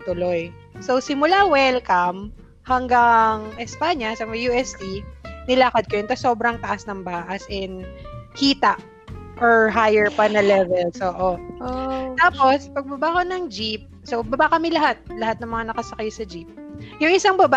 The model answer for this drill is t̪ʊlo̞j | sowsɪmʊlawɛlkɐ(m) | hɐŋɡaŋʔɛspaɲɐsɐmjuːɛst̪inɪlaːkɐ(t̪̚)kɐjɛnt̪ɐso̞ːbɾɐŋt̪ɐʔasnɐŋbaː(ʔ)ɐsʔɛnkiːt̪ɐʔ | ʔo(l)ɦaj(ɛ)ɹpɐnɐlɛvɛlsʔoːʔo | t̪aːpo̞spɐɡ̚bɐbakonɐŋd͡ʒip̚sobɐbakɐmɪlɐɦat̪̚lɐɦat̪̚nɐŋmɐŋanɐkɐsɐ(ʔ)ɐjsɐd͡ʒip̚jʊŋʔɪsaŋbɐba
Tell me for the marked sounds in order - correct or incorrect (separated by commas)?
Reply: correct, incorrect, correct, incorrect, correct, incorrect